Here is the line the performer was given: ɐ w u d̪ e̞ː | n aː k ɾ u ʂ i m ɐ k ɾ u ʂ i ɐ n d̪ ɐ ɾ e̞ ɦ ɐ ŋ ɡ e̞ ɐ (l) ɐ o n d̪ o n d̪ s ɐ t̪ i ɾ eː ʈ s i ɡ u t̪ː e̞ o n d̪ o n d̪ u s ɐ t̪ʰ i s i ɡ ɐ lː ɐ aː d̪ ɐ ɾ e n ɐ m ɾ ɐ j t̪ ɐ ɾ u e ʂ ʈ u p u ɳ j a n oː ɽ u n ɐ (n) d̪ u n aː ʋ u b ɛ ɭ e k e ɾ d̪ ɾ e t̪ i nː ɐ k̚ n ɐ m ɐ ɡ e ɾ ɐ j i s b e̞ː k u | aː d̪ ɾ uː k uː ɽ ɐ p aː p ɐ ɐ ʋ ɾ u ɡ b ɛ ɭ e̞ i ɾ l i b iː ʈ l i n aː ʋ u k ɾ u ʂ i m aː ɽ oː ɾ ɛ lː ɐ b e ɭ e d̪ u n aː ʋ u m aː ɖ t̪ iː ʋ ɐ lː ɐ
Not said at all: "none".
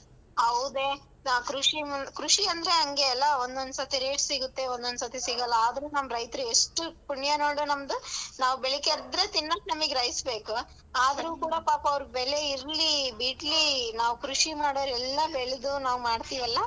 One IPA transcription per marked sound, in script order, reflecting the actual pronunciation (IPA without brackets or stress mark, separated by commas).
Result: lː, m